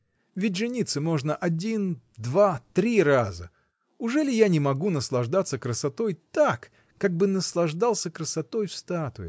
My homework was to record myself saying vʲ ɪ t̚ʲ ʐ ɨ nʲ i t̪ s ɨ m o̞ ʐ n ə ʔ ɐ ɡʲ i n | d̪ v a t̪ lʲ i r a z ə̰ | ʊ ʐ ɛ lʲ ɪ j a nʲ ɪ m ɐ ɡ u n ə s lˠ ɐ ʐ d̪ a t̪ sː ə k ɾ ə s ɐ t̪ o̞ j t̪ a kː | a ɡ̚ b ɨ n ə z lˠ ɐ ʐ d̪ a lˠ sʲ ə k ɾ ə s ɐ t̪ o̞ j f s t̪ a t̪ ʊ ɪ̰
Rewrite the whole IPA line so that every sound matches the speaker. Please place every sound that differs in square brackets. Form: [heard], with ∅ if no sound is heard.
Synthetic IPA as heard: vʲ ɪ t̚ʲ ʐ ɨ nʲ i t̪ s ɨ m o̞ ʐ n ə ʔ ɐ [dʲ] i n | d̪ v a t̪ [ɾʲ] i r a z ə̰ | ʊ ʐ ɛ lʲ ɪ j a nʲ ɪ m ɐ ɡ u n ə s lˠ ɐ ʐ d̪ a t̪ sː ə k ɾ ə s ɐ t̪ o̞ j t̪ a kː | a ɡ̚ b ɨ n ə [s] lˠ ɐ ʐ d̪ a lˠ sʲ ə k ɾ ə s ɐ t̪ o̞ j f s t̪ a t̪ ʊ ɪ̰